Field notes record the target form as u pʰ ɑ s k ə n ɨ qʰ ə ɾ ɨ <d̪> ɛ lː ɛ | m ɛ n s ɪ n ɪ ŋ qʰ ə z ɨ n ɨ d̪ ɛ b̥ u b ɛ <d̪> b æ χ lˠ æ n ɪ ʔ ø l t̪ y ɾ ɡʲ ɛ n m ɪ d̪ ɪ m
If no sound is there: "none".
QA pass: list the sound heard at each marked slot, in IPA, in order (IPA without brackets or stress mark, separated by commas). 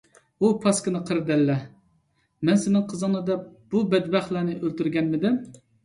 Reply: d̪, d̪